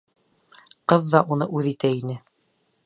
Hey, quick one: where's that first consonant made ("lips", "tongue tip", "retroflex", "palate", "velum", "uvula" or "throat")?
uvula